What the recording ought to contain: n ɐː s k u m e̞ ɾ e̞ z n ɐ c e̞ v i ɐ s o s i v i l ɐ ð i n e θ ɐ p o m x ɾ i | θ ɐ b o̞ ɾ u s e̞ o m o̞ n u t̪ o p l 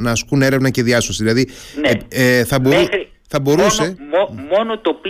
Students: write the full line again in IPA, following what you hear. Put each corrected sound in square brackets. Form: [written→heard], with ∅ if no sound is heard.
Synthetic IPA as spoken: n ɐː s k u [m→n] e̞ ɾ e̞ [z→v] n ɐ c e̞ [v→ð] i ɐ s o s i [v→ð] i l ɐ ð i n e θ ɐ [p→b] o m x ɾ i | θ ɐ b o̞ ɾ u s e̞ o m o̞ n [u→o] t̪ o p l